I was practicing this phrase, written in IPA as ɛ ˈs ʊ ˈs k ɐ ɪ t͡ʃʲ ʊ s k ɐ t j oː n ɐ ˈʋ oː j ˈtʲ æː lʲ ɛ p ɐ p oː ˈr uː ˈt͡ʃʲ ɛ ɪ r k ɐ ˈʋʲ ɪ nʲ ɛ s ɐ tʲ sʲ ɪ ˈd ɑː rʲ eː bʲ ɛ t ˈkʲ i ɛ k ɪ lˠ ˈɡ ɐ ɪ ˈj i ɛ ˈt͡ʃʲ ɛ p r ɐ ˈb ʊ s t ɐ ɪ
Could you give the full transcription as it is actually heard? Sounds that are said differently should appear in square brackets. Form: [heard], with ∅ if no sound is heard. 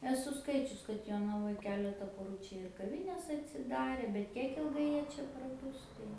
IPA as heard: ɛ ˈs ʊ ˈs k ɐ ɪ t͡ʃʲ ʊ s k ɐ t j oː n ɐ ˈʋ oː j [ˈkʲ] æː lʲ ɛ [t] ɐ p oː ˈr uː ˈt͡ʃʲ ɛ ɪ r k ɐ ˈʋʲ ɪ nʲ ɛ s ɐ tʲ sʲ ɪ ˈd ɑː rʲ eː bʲ ɛ t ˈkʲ i ɛ k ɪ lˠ ˈɡ ɐ ɪ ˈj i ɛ ˈt͡ʃʲ ɛ p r ɐ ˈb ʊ s t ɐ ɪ